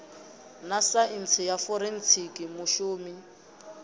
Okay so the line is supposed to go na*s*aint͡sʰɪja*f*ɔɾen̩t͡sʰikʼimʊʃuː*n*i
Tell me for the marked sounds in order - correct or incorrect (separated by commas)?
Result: correct, correct, incorrect